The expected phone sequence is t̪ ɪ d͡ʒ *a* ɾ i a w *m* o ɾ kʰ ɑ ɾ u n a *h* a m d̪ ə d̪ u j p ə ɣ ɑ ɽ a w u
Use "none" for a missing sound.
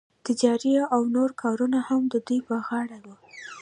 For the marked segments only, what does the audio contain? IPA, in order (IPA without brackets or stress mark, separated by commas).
ɑ, n, h